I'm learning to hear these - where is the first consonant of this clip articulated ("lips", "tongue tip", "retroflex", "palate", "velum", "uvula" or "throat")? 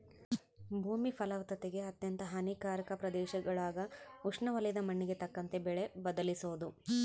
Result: lips